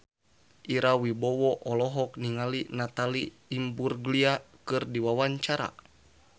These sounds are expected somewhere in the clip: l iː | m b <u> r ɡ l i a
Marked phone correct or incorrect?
correct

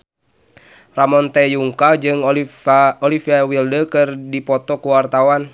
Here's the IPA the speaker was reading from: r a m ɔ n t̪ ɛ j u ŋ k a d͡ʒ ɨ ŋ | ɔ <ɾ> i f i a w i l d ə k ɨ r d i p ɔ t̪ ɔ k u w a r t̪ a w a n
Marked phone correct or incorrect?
incorrect: l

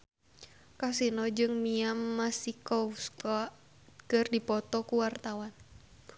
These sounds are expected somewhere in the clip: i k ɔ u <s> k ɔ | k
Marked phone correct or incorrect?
correct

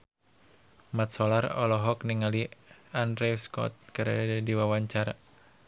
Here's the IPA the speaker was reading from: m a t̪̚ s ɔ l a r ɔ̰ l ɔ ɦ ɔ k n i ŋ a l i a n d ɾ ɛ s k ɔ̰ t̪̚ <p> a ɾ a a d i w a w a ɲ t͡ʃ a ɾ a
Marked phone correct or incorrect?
incorrect: k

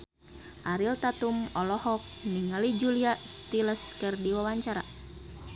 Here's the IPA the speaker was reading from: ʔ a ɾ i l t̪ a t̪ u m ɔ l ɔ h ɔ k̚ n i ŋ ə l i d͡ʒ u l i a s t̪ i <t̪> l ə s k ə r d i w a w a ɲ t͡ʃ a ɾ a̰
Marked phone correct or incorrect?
incorrect: none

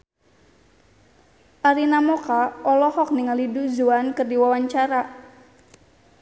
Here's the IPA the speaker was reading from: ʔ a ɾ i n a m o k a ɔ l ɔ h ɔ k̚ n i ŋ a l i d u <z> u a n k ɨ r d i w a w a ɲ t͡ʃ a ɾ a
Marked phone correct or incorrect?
correct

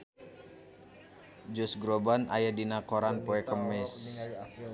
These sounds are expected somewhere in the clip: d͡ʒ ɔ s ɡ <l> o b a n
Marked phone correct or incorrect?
incorrect: ɾ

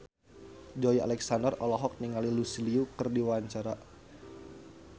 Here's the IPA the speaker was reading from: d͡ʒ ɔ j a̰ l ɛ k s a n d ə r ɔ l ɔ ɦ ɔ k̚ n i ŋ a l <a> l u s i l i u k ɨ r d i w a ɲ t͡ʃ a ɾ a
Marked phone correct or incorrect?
incorrect: i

